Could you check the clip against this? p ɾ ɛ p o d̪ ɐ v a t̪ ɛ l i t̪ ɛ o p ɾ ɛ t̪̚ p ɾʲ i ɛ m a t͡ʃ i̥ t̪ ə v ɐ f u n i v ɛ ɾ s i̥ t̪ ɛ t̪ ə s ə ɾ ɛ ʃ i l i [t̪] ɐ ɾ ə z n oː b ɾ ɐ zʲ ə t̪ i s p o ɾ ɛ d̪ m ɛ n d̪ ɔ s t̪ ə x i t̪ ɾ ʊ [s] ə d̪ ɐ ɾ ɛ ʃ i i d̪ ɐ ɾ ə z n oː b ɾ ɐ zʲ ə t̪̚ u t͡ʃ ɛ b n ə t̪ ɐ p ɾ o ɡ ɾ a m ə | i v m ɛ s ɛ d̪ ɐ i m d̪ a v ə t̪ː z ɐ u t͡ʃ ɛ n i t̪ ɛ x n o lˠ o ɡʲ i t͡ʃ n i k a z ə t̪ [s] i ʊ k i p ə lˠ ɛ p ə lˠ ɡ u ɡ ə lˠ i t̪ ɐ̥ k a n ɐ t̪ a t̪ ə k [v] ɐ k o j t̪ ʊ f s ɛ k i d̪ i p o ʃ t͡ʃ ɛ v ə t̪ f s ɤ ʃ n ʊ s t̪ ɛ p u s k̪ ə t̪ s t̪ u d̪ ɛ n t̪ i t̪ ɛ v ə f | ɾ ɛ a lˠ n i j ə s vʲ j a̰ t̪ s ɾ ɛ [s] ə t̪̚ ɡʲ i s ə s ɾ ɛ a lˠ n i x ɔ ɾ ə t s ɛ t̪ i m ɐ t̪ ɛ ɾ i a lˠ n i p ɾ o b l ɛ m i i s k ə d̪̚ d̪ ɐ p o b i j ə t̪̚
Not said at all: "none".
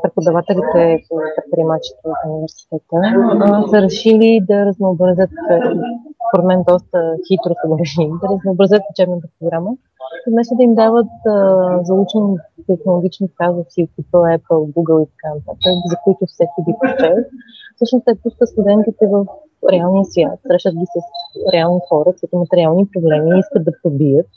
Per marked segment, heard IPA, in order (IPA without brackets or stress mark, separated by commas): d̪, s, s, z, ʃ